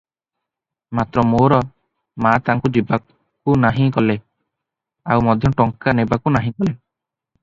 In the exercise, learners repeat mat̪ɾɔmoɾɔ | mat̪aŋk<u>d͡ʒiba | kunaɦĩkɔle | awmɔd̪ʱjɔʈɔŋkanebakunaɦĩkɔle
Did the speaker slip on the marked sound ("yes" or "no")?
no